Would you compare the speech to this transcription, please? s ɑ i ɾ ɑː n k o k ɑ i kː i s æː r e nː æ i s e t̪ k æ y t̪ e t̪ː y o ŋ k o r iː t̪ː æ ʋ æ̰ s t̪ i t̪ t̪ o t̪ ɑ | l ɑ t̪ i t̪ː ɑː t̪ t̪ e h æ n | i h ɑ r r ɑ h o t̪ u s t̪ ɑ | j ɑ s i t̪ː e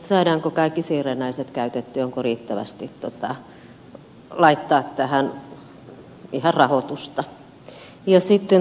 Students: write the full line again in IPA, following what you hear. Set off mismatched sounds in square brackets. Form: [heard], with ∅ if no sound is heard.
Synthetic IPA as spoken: s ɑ i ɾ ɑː [ŋ] k o k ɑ i kː i s [iː] r e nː æ i s e t̪ k æ y t̪ e t̪ː y o ŋ k o r iː t̪ː æ ʋ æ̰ s t̪ i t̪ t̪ o t̪ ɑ | l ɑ [∅] i t̪ː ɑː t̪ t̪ [æ] h æ n | i h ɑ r r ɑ h o t̪ u s t̪ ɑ | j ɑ s i t̪ː e